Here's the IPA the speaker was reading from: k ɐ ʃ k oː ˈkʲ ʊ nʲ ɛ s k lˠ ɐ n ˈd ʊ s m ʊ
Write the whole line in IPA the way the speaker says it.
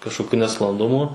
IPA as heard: k ɐ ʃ k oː ˈkʲ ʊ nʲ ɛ s k lˠ ɐ n ˈd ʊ m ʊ